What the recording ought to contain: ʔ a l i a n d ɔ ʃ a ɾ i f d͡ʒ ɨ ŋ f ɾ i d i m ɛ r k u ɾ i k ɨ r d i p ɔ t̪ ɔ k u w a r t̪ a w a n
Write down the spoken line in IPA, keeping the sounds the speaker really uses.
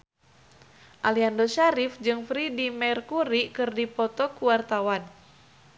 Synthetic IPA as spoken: ʔ a l i a n d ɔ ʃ a ɾ i f d͡ʒ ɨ ŋ f ɾ i d i m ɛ r k u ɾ i k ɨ r d i p ɔ t̪ ɔ k u w a r t̪ a w a n